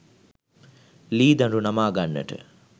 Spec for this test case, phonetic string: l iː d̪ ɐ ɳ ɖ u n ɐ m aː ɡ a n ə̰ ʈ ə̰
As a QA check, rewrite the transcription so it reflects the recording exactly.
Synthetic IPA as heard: l iː d̪ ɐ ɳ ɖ u n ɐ m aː ɡ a nː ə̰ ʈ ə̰